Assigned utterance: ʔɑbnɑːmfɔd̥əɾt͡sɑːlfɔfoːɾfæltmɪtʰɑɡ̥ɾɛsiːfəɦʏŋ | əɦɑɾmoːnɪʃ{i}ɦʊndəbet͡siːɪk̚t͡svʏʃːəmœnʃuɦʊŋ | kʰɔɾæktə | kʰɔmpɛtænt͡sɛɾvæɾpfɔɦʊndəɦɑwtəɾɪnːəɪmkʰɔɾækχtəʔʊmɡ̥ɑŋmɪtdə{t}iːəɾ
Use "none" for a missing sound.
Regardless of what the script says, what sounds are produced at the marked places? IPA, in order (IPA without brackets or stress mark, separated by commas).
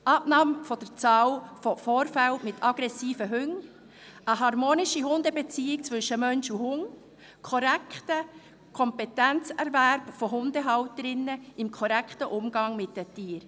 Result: i, t